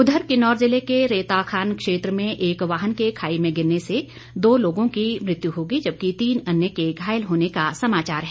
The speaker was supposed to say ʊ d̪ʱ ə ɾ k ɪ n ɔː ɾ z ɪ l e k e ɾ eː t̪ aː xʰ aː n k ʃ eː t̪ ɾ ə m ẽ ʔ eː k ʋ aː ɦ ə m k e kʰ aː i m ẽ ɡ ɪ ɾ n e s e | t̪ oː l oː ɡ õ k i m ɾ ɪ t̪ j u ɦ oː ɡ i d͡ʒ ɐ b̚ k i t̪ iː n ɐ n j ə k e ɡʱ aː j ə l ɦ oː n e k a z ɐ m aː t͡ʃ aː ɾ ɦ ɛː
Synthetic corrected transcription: ʊ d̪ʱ ə ɾ k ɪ n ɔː ɾ z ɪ l e k e ɾ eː t̪ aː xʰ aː n k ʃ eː t̪ ɾ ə m ẽ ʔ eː k ʋ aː ɦ ə n k e kʰ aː i m ẽ ɡ ɪ ɾ n e s e | d̪ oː l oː ɡ õ k i m ɾ ɪ t̪ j u ɦ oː ɡ i d͡ʒ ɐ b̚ k i t̪ iː n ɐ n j ə k e ɡʱ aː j ə l ɦ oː n e k a s ɐ m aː t͡ʃ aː ɾ ɦ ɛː

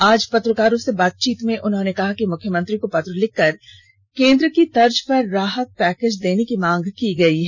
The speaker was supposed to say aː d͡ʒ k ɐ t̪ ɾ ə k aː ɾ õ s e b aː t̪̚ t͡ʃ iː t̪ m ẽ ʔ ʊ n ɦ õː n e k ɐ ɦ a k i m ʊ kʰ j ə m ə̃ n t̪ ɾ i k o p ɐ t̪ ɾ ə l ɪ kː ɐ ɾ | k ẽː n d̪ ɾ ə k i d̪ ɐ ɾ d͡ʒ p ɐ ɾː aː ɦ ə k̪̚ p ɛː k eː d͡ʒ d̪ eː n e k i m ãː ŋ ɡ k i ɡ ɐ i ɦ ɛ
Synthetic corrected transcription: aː d͡ʒ p ɐ t̪ ɾ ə k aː ɾ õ s e b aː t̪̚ t͡ʃ iː t̪ m ẽ ʔ ʊ n ɦ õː n e k ɐ ɦ a k i m ʊ kʰ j ə m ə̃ n t̪ ɾ i k o p ɐ t̪ ɾ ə l ɪ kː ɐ ɾ | k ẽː n d̪ ɾ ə k i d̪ ɐ ɾ d͡ʒ p ɐ ɾː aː ɦ ə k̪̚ p ɛː k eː d͡ʒ d̪ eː n e k i m ãː ŋ ɡ k i ɡ ɐ i ɦ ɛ

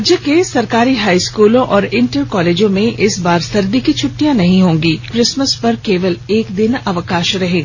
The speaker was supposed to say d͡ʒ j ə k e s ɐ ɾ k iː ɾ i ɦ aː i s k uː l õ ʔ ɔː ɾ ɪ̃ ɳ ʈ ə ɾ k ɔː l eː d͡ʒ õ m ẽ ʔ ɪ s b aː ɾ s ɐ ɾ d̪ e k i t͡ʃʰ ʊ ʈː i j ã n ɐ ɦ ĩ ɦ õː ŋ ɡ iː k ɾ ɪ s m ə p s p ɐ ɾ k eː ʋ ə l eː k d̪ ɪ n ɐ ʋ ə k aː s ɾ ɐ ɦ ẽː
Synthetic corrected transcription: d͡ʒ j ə k e s ɐ ɾ k aː ɾ i ɦ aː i s k uː l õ ʔ ɔː ɾ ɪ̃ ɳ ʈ ə ɾ k ɔː l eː d͡ʒ õ m ẽ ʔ ɪ s b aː ɾ s ɐ ɾ d̪ i k i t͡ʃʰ ʊ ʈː i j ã n ɐ ɦ ĩ ɦ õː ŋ ɡ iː k ɾ ɪ s m ə s p ɐ ɾ k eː ʋ ə l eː k d̪ ɪ n ɐ ʋ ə k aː ʃ ɾ ɐ ɦ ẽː

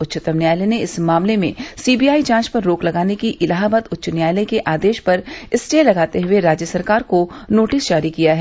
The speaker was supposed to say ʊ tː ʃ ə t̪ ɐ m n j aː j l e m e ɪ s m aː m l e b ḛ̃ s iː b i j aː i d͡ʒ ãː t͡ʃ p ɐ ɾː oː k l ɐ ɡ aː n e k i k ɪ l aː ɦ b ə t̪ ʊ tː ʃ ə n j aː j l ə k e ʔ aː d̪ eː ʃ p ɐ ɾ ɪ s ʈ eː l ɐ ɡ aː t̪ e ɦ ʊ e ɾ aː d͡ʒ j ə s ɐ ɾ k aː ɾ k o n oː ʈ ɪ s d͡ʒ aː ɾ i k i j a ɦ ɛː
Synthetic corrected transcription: ʊ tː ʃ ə t̪ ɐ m n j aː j l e n e ɪ s m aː m l e m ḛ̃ s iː b i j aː i d͡ʒ ãː t͡ʃ p ɐ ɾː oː k l ɐ ɡ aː n e k i ʔ ɪ l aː ɦ b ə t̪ ʊ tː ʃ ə n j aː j l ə k e ʔ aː d̪ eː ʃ p ɐ ɾ ɪ s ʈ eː l ɐ ɡ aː t̪ e ɦ ʊ e ɾ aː d͡ʒ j ə s ɐ ɾ k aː ɾ k o n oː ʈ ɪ s d͡ʒ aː ɾ i k i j a ɦ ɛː

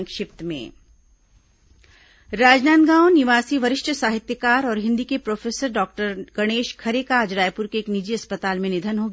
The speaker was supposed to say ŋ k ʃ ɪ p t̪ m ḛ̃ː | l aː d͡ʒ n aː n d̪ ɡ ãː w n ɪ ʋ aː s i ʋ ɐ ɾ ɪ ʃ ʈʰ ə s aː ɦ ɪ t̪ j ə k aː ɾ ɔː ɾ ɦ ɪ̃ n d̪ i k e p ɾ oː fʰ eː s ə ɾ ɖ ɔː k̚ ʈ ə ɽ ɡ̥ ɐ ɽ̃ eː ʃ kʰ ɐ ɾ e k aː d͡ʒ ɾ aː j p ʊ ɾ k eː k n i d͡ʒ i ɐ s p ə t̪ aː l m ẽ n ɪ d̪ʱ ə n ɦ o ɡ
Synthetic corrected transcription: ŋ k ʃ ɪ p t̪ m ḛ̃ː | ɾ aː d͡ʒ n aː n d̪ ɡ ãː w n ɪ ʋ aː s i ʋ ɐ ɾ ɪ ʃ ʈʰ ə s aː ɦ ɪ t̪ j ə k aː ɾ ɔː ɾ ɦ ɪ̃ n d̪ i k e p ɾ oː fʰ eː s ə ɾ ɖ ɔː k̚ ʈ ə ɾ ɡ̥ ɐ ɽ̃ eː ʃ kʰ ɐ ɾ e k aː d͡ʒ ɾ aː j p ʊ ɾ k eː k n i d͡ʒ i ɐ s p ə t̪ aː l m ẽ n ɪ d̪ʱ ə n ɦ o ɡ

